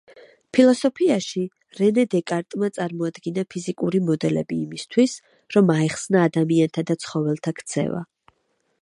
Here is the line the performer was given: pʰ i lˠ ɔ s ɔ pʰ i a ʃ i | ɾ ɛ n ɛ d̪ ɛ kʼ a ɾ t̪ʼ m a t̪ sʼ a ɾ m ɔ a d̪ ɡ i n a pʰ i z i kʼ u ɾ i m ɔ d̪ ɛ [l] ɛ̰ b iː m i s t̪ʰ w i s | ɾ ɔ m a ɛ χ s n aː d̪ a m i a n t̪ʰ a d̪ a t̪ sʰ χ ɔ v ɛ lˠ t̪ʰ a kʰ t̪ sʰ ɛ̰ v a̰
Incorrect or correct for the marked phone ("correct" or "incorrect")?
correct